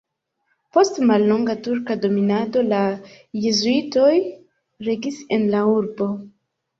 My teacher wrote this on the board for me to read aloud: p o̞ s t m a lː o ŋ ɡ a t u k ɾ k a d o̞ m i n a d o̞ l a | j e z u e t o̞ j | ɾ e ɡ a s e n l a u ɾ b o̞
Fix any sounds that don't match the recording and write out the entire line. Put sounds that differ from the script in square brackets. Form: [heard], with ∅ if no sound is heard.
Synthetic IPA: p o̞ s t m a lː o ŋ ɡ a t u [∅] ɾ k a d o̞ m i n a d o̞ l a | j e z u [i] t o̞ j | ɾ e ɡ [i] s e n l a u ɾ b o̞